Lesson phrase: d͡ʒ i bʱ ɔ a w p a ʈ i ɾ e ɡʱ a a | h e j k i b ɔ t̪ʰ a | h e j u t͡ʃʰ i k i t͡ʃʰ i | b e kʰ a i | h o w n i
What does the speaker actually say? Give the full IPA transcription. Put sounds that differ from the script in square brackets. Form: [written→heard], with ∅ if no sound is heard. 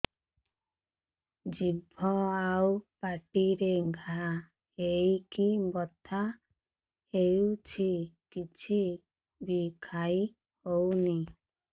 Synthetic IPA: d͡ʒ i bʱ ɔ a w p a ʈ i ɾ e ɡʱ a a | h e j k i b ɔ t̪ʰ a | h e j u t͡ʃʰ i k i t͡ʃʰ i | b [e→i] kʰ a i | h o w n i